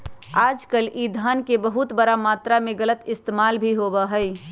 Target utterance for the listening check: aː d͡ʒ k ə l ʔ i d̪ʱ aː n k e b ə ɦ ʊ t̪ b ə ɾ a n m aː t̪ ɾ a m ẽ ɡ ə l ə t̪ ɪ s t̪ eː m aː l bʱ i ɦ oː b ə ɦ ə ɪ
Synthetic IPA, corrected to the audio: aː d͡ʒ k ə l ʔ i d̪ʱ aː n k e b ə ɦ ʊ t̪ b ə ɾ a m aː t̪ ɾ a m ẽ ɡ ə l ə t̪ ɪ s t̪ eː m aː l bʱ i ɦ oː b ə ɦ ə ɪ